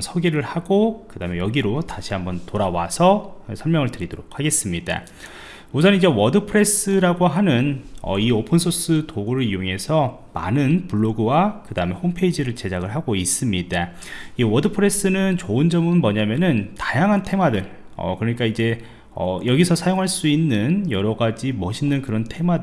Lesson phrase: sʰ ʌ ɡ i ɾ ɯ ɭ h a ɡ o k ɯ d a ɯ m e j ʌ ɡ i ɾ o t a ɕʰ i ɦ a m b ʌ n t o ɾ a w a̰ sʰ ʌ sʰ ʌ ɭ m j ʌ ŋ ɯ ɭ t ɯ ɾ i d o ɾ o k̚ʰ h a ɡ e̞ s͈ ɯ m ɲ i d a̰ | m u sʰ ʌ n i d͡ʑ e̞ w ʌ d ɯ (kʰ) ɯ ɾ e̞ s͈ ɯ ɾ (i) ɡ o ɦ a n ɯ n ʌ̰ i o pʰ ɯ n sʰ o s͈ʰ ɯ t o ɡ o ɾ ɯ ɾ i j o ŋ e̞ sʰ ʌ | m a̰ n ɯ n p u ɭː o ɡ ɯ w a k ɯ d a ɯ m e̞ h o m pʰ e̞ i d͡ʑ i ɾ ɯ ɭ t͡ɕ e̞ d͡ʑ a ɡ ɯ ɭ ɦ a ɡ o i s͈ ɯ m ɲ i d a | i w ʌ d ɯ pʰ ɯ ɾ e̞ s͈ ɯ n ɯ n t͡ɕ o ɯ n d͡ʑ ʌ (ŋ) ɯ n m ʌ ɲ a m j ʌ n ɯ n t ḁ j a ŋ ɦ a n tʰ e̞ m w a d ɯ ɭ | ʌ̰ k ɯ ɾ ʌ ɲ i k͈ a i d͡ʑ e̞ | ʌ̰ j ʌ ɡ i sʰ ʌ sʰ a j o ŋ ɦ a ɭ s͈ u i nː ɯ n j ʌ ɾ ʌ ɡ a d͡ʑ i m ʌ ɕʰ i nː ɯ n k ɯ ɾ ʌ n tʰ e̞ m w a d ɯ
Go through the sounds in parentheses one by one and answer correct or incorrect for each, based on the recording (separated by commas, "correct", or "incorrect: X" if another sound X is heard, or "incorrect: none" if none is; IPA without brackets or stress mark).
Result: incorrect: pʰ, incorrect: a, incorrect: m